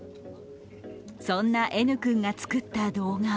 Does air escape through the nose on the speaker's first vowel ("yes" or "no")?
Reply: yes